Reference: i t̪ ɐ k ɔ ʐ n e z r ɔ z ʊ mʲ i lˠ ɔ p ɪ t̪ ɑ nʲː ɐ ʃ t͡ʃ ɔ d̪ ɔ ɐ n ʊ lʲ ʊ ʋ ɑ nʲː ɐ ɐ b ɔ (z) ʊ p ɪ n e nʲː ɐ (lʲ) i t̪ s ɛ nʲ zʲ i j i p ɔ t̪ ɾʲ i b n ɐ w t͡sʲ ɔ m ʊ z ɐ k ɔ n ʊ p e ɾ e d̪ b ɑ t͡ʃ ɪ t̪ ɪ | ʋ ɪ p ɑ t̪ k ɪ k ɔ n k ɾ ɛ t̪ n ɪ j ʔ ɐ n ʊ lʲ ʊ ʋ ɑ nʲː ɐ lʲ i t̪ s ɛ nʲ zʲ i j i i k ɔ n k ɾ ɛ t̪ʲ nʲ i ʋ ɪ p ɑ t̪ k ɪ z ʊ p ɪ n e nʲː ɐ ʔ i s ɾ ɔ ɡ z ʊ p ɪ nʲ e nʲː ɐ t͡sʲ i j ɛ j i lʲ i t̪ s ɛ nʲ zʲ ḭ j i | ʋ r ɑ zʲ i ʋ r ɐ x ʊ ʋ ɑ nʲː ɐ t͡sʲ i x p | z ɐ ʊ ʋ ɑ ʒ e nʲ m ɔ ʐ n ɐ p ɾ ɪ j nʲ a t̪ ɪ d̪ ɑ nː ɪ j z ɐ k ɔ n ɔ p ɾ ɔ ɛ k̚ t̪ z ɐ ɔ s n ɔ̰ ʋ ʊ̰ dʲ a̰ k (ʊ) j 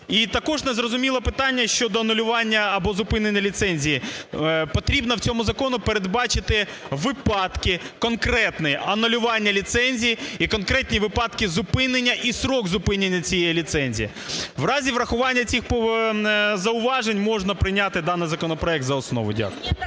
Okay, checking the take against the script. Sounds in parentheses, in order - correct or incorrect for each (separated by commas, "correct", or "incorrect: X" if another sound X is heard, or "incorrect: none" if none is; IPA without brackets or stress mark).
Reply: correct, correct, correct